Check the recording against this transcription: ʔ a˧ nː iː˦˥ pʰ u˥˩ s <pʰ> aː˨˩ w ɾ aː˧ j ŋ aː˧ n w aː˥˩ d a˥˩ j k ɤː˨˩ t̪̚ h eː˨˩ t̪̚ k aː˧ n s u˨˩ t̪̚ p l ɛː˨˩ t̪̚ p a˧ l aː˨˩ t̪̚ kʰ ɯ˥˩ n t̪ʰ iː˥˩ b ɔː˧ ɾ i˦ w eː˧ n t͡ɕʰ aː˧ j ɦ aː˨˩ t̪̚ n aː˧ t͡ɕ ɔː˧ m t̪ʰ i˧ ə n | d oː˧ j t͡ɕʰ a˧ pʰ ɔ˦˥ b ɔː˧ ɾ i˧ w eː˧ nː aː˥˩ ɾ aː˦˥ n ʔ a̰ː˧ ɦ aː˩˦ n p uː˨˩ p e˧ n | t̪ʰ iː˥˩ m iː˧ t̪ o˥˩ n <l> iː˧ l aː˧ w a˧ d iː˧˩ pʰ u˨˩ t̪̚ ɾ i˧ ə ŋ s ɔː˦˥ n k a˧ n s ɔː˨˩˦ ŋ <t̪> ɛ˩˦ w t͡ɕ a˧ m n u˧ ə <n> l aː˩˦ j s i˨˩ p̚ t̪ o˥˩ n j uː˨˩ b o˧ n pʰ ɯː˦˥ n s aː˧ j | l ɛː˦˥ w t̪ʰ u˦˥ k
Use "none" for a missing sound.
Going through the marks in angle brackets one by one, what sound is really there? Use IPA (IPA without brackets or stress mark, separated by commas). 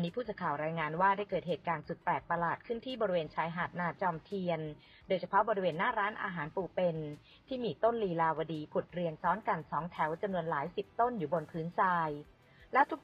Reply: kʰ, l, t̪ʰ, n